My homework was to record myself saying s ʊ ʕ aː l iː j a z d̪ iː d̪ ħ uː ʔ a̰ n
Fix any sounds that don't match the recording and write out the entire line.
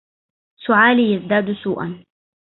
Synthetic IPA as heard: s ʊ ʕ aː l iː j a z d̪ aː d̪ s uː ʔ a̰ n